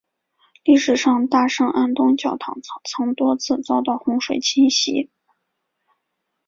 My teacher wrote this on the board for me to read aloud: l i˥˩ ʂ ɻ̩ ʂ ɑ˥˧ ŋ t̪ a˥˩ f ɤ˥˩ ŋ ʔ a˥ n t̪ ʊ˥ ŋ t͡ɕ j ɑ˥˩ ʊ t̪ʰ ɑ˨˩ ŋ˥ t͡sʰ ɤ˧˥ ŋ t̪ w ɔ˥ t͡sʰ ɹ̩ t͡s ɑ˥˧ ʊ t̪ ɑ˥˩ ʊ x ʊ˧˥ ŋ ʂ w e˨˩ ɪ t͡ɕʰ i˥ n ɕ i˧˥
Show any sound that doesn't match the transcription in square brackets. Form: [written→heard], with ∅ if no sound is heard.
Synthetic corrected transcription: l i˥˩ ʂ ɻ̩ ʂ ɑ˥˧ ŋ t̪ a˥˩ [f→ʂ] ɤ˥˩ ŋ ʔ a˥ n t̪ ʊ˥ ŋ t͡ɕ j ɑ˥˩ ʊ t̪ʰ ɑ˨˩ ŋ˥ t͡sʰ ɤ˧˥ ŋ t̪ w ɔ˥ t͡sʰ ɹ̩ t͡s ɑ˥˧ ʊ t̪ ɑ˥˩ ʊ x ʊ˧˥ ŋ ʂ w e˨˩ ɪ t͡ɕʰ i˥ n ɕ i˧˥